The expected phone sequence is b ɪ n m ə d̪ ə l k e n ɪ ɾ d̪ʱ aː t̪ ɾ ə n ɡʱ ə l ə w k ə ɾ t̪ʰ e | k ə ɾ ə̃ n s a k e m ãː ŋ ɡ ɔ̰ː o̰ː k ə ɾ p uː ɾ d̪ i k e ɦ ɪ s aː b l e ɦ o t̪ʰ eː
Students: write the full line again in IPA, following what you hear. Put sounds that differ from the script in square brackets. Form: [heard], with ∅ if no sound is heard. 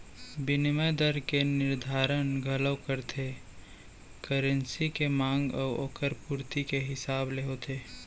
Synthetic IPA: b ɪ n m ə d̪ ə [ɾ] k e n ɪ ɾ d̪ʱ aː [∅] ɾ ə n ɡʱ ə l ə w k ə ɾ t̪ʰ e | k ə ɾ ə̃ n s [i] k e m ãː ŋ ɡ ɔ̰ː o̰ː k ə ɾ p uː ɾ [t̪] i k e ɦ ɪ s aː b l e ɦ o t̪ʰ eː